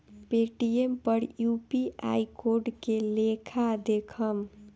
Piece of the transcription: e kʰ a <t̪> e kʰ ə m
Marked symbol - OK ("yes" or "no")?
no